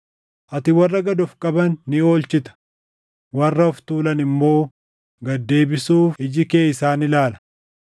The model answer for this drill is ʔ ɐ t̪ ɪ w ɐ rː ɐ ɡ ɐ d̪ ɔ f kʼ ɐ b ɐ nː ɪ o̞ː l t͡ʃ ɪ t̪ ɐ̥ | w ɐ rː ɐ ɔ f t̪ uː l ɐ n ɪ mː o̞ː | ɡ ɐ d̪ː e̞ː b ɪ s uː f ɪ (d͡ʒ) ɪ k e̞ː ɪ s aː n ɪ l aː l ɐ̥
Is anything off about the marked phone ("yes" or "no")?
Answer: no